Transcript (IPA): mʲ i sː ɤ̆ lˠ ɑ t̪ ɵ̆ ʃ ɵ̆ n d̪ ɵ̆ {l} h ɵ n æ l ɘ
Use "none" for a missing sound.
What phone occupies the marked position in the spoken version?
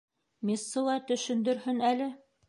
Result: ɾ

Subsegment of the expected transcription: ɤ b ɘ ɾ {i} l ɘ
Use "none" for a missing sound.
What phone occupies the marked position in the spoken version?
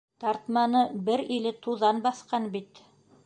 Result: i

